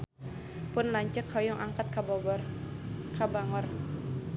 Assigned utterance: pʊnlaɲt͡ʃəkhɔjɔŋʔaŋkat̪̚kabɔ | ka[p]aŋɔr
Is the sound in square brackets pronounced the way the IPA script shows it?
no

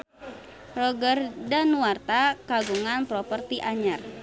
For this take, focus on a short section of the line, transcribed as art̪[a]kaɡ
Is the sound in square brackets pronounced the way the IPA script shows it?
yes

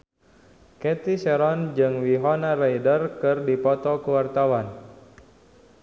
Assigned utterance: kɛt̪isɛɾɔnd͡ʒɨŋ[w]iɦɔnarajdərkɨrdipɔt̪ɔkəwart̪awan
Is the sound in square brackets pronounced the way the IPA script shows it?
yes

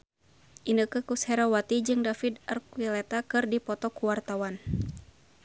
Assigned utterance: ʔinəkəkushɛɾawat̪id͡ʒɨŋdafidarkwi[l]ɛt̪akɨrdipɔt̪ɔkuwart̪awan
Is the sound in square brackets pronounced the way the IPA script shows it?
yes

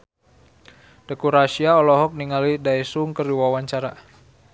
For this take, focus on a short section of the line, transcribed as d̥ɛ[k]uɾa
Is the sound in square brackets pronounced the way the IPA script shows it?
yes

